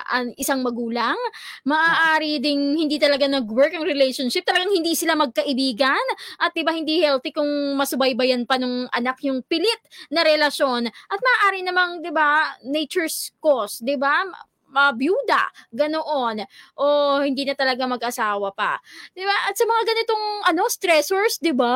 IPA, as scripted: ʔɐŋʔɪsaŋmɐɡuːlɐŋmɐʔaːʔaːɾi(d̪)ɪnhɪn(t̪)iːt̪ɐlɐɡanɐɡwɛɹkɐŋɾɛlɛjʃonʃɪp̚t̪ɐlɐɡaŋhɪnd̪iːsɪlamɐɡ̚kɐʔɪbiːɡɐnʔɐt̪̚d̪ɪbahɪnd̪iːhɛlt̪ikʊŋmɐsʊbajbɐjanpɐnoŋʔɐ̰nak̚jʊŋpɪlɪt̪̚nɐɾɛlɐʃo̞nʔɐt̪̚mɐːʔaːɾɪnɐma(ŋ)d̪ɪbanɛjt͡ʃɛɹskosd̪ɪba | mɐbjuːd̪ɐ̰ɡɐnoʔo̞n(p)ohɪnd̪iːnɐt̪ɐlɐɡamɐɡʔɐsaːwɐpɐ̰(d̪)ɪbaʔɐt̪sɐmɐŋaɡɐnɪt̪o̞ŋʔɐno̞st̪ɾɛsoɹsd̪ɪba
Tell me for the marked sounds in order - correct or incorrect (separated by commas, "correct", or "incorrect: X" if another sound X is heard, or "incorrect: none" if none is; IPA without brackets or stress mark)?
correct, incorrect: d̪, correct, incorrect: ʔ, correct